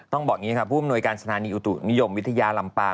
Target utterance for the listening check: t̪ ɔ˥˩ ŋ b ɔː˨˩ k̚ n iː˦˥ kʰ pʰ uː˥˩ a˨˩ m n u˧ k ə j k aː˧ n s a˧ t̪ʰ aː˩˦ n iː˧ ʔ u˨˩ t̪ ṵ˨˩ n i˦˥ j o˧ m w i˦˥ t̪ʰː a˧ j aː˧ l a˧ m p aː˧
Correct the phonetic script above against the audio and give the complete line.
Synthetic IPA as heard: t̪ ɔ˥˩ ŋ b ɔː˨˩ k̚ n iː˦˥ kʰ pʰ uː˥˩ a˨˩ m n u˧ ə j k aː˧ n s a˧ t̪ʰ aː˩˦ n iː˧ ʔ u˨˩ t̪ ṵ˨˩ n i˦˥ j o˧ m w i˦˥ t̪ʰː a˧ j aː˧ l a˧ m p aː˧